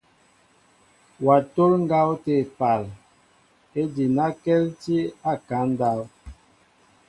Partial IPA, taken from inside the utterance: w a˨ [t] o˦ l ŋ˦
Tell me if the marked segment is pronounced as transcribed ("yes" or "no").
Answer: yes